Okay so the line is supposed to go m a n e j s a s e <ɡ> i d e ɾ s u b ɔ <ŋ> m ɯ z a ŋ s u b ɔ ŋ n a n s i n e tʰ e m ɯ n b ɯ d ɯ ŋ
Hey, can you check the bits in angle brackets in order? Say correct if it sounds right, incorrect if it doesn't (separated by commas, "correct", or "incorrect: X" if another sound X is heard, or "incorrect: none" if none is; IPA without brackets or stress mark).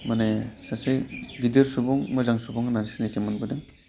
correct, correct